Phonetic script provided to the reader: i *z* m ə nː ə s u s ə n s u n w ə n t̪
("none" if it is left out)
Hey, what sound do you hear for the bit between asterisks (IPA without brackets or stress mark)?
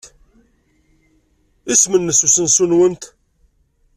s